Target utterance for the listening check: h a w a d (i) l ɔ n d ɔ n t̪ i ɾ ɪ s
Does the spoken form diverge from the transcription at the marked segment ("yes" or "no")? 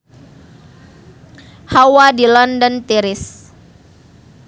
no